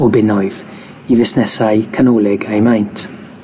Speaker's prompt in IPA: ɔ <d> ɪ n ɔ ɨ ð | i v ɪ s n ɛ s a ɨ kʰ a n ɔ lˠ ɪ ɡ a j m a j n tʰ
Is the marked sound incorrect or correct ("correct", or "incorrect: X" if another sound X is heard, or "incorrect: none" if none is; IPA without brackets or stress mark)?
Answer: incorrect: b